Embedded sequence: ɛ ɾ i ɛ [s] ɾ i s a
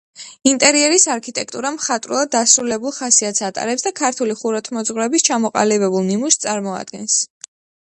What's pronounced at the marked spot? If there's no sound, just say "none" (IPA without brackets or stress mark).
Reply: none